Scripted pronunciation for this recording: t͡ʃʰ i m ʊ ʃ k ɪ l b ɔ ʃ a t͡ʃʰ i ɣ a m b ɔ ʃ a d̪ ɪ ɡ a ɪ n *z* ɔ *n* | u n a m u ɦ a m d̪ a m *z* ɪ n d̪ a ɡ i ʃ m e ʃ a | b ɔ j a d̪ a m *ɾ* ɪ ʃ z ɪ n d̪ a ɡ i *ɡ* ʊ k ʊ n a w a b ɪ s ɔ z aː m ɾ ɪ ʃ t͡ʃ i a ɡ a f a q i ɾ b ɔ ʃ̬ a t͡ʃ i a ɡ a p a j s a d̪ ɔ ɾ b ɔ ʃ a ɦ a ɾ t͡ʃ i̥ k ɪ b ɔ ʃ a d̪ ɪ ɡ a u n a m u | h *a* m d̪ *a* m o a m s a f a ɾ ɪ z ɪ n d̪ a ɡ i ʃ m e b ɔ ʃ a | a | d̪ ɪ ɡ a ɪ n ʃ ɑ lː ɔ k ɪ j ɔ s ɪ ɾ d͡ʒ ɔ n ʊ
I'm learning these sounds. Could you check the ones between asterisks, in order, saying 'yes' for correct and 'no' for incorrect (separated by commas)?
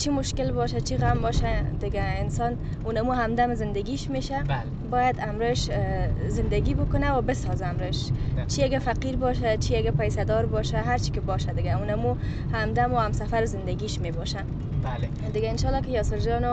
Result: no, yes, yes, yes, no, yes, yes